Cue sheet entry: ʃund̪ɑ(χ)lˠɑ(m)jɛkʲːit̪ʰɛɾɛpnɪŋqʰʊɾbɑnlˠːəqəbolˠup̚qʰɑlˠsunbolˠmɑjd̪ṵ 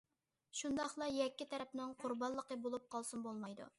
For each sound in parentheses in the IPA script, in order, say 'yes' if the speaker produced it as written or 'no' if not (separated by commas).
yes, no